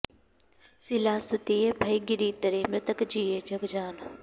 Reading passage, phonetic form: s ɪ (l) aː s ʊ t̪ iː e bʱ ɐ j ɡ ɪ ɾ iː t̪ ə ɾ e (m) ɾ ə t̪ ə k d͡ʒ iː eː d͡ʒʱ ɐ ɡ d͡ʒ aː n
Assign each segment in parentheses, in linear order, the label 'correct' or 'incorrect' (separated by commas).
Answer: correct, correct